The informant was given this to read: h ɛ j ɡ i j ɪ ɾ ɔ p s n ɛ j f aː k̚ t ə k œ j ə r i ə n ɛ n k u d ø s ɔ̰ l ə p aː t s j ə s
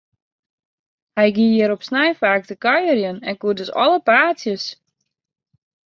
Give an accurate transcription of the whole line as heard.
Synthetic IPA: h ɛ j ɡ i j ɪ ɾ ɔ p s n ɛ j f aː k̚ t ə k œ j ə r j ə n ɛ n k u d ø s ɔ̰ l ə p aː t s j ə s

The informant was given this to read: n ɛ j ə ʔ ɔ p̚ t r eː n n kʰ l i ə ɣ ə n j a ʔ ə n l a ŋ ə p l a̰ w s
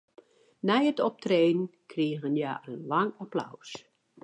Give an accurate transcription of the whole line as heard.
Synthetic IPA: n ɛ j ə t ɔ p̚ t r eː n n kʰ r i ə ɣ ə n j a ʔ ə n l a ŋ a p l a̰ w s

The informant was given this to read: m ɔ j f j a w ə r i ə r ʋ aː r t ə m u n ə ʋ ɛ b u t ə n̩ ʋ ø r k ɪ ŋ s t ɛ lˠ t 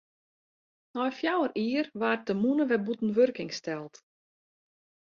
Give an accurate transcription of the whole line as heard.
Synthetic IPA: n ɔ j f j a w ə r i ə r ʋ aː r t ə m u n ə ʋ ɛ b u t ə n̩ ʋ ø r k ɪ ŋ s t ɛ lˠ t

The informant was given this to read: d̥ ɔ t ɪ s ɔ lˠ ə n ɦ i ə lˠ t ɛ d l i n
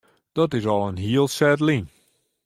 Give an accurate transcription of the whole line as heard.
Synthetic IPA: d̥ ɔ t ɪ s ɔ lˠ ə n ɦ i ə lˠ s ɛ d l i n

